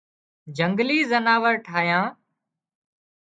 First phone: d͡ʒ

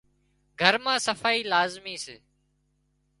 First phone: ɡʱ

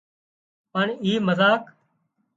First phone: p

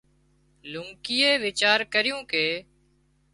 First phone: l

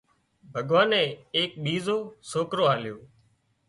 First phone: bʱ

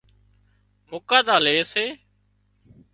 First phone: m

